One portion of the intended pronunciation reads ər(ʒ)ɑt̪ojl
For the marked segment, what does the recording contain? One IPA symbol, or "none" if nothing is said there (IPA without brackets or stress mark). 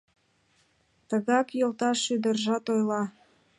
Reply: ʒ